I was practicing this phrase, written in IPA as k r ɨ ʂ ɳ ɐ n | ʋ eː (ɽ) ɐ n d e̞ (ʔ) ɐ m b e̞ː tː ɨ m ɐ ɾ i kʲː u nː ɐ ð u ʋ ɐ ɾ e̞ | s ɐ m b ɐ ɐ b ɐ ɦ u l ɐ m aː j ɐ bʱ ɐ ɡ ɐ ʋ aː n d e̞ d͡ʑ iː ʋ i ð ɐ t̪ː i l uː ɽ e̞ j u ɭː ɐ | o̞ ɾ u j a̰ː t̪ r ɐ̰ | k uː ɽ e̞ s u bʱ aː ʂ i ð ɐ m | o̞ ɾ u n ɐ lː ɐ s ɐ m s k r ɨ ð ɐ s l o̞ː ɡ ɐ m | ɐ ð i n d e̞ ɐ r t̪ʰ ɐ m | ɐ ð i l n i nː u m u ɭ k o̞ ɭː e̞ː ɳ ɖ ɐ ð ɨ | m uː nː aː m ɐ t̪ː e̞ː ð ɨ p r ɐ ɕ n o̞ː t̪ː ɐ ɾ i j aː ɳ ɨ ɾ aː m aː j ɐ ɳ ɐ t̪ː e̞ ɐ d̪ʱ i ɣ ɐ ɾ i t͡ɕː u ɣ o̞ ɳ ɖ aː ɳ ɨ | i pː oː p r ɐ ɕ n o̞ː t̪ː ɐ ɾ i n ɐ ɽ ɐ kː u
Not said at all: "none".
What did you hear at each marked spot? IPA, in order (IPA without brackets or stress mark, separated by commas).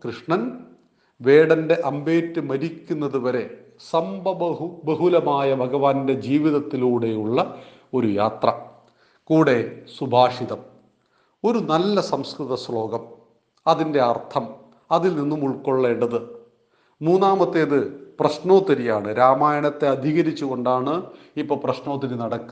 ɽ, ʔ